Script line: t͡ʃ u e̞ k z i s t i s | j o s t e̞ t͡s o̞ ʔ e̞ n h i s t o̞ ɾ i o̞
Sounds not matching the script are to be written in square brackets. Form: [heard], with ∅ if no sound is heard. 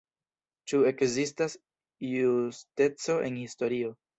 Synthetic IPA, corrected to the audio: t͡ʃ u e̞ k z i s t [a] s | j [u] s t e̞ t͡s o̞ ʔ e̞ n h i s t o̞ ɾ i o̞